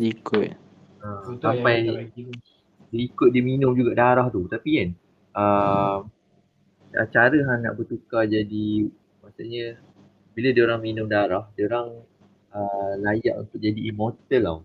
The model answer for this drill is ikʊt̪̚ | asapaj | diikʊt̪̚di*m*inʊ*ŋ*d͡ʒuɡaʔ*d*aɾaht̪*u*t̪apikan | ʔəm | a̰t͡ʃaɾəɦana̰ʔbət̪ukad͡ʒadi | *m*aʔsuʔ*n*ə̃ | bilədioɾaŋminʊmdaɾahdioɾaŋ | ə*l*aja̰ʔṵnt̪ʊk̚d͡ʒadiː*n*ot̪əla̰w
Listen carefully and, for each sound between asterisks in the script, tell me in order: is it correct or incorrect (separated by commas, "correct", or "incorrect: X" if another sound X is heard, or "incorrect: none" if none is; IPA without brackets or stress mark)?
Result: correct, incorrect: m, correct, correct, correct, incorrect: ɲ, correct, incorrect: m